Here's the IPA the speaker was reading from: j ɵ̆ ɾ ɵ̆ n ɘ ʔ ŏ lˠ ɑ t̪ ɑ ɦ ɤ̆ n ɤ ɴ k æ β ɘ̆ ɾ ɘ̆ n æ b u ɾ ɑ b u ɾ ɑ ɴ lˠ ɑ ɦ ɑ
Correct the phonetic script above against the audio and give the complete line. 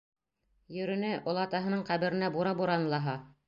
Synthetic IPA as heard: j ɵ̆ ɾ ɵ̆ n ɘ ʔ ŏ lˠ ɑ t̪ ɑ ɦ ɤ̆ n ɤ ɴ q æ β ɘ̆ ɾ ɘ̆ n æ b u ɾ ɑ b u ɾ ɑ n lˠ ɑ ɦ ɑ